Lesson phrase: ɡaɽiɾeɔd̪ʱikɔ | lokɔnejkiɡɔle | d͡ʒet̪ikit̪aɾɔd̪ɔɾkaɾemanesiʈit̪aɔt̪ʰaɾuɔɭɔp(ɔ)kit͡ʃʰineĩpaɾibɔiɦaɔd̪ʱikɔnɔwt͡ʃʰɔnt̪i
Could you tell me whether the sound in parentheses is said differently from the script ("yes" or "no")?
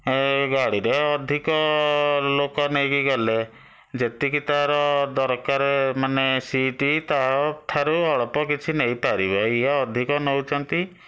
no